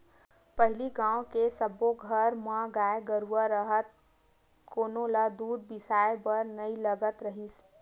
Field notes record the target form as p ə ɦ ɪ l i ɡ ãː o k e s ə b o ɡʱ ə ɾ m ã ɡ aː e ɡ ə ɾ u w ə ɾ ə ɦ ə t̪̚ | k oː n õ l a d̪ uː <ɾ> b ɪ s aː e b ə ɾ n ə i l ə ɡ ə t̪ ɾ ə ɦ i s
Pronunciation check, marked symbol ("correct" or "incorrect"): correct